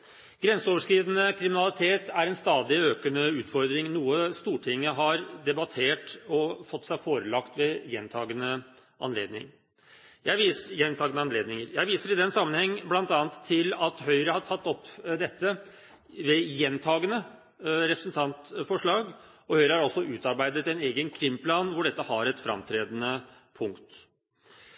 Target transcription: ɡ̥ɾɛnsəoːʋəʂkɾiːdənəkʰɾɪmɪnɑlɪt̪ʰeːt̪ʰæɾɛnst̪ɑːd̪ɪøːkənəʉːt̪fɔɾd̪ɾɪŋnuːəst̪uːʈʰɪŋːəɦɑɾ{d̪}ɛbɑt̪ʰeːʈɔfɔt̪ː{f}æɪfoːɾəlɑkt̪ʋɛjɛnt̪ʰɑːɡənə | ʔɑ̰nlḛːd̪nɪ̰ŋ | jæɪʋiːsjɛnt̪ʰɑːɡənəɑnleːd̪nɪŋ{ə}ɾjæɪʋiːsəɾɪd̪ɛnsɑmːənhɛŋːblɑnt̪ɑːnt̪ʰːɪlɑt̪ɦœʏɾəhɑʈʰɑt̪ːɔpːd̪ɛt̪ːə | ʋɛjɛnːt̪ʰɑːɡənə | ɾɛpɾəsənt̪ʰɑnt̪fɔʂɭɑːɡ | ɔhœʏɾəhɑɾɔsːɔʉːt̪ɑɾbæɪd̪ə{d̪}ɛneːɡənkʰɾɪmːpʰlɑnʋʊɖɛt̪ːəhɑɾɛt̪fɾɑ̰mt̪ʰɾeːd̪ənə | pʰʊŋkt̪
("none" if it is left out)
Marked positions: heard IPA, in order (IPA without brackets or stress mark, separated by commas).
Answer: d̪, s, ə, t̪